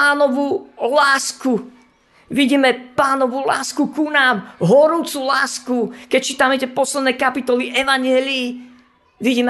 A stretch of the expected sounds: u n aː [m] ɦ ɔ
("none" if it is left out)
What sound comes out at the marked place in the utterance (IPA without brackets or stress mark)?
m